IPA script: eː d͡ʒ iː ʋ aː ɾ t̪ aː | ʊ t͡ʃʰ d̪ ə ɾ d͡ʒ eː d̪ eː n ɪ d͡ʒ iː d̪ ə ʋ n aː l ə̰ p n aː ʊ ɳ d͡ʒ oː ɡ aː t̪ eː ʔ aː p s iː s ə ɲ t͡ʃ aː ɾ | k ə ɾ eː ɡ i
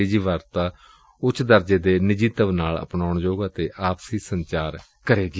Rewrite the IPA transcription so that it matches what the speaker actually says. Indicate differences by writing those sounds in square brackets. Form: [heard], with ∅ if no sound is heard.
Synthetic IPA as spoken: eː d͡ʒ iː ʋ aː ɾ t̪ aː | ʊ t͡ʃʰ d̪ ə ɾ d͡ʒ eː d̪ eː n ɪ d͡ʒ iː [t̪] ə ʋ n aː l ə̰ p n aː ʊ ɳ d͡ʒ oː ɡ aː t̪ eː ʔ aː p s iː s ə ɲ t͡ʃ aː ɾ | k ə ɾ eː ɡ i